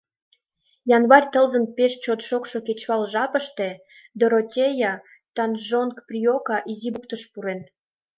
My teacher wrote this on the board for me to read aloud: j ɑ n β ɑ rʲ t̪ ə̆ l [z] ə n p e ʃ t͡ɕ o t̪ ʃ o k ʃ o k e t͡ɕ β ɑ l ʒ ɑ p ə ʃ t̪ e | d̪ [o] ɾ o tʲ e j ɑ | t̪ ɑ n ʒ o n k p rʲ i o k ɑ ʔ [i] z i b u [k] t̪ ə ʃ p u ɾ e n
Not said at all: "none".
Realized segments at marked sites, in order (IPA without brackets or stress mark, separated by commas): z, o, i, k